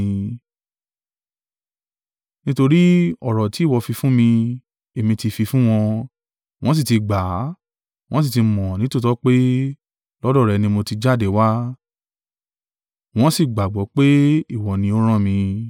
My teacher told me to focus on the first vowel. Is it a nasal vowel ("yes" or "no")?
yes